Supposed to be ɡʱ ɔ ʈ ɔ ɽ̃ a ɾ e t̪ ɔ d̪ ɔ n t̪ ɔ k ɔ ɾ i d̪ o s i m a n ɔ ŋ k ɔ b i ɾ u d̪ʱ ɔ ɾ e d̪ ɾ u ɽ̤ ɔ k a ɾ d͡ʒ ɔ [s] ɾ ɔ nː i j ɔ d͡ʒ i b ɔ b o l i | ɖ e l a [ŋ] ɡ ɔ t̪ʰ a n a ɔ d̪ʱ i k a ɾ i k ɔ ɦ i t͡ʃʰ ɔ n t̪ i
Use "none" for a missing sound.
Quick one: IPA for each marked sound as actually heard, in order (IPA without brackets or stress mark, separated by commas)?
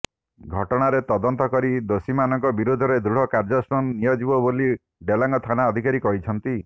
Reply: s, ŋ